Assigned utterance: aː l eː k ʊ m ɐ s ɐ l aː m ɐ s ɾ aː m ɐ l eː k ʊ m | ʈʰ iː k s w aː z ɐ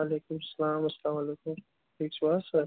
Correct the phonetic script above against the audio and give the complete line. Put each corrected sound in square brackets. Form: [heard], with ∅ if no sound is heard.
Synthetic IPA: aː l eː k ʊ m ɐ s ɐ l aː m ɐ s [l] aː m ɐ l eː k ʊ m | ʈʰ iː k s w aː [s] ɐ